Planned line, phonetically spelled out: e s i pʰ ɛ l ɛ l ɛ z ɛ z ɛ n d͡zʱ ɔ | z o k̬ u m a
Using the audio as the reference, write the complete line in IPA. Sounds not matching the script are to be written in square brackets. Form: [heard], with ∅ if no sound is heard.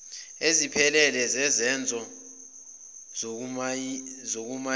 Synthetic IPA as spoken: e [z] i pʰ ɛ l ɛ l ɛ z ɛ z ɛ n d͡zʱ ɔ | z o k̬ u m a